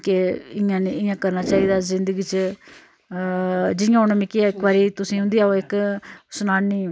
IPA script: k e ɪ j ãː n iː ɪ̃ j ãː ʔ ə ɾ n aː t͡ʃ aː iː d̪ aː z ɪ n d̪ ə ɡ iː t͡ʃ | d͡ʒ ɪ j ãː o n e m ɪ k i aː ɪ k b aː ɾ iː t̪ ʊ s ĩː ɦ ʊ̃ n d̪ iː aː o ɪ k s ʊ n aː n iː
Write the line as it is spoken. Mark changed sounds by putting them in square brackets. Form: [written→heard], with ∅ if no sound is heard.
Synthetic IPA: k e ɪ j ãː n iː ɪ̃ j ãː [ʔ→k] ə ɾ n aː t͡ʃ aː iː d̪ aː z ɪ n d̪ ə ɡ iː t͡ʃ | d͡ʒ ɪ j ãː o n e m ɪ k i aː ɪ k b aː ɾ iː t̪ ʊ s ĩː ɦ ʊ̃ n d̪ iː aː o ɪ k s ʊ n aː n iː